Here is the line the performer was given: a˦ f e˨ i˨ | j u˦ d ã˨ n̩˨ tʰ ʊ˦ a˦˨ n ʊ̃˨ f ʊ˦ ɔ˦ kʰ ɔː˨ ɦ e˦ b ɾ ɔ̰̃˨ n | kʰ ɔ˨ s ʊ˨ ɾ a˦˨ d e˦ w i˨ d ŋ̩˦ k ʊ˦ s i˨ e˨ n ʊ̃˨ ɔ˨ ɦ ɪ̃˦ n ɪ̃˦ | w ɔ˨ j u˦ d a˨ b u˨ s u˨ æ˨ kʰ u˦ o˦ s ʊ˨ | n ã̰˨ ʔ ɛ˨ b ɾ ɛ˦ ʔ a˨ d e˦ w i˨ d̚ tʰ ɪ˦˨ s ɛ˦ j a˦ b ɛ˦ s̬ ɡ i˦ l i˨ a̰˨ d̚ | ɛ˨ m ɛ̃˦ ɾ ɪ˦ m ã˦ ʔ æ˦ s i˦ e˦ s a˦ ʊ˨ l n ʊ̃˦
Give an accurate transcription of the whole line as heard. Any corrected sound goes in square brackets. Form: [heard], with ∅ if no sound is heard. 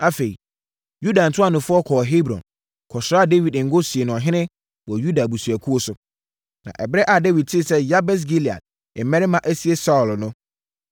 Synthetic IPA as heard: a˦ f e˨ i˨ | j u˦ d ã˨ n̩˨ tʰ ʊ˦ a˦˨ n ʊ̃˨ f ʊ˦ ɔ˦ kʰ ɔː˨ ɦ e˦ b ɾ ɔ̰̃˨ n | kʰ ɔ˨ s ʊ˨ ɾ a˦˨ d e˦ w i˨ d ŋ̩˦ [ɡ] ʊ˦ s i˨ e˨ n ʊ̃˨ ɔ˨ ɦ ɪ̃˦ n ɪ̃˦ | w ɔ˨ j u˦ d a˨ b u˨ s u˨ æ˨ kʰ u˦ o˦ s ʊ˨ | n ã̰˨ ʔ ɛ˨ b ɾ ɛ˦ ʔ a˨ d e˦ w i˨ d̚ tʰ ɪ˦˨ s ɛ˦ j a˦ b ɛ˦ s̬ ɡ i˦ l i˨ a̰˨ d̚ | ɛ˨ m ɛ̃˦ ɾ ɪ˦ m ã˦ ʔ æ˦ s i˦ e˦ s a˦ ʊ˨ l n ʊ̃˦